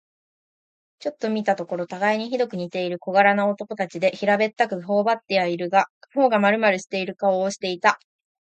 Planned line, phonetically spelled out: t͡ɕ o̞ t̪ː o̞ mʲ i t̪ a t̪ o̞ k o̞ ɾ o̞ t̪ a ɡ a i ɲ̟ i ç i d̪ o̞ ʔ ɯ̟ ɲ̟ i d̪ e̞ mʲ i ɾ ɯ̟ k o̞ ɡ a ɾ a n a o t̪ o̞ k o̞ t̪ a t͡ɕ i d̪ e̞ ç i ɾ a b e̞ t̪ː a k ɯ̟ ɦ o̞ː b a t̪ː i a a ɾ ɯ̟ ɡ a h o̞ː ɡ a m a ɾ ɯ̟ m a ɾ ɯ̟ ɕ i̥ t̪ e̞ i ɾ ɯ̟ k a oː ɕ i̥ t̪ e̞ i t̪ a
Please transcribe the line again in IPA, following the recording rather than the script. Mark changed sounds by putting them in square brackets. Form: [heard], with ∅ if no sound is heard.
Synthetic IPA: t͡ɕ o̞ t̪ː o̞ mʲ i t̪ a t̪ o̞ k o̞ ɾ o̞ t̪ a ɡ a i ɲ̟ i ç i d̪ o̞ [k] ɯ̟ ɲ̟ i [t̪] e̞ [∅] i ɾ ɯ̟ k o̞ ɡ a ɾ a n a o t̪ o̞ k o̞ t̪ a t͡ɕ i d̪ e̞ ç i ɾ a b e̞ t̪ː a k ɯ̟ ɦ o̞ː b a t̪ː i a [i] ɾ ɯ̟ ɡ a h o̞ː ɡ a m a ɾ ɯ̟ m a ɾ ɯ̟ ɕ i̥ t̪ e̞ i ɾ ɯ̟ k a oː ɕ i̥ t̪ e̞ i t̪ a